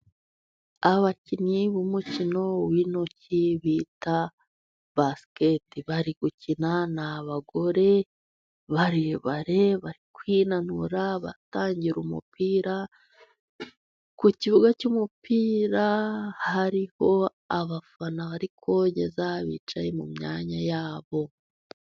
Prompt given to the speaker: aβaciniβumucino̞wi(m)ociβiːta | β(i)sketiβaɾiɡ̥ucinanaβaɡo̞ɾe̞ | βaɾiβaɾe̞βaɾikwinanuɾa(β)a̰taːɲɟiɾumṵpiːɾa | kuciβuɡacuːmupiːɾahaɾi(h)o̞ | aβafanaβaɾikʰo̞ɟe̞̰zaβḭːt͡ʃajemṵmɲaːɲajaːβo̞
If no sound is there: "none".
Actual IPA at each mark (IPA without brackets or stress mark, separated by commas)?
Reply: n, a, β, h